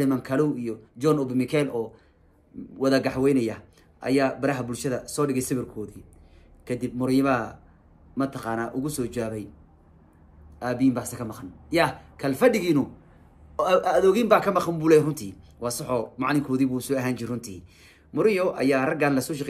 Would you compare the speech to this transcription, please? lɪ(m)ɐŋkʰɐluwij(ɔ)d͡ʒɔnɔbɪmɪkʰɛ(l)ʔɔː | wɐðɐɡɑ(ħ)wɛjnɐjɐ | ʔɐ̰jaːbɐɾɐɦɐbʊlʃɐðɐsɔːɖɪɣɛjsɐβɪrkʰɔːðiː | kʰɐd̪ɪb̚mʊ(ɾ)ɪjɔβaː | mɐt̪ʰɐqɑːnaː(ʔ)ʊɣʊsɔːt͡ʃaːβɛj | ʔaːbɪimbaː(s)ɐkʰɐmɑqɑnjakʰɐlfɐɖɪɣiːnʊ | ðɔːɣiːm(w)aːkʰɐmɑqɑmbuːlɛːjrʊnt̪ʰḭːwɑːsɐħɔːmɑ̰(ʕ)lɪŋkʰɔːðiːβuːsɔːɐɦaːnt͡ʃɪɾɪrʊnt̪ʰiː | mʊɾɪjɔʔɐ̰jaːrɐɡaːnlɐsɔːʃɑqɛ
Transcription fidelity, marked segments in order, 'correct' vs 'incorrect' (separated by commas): correct, correct, correct, correct, correct, correct, correct, incorrect, correct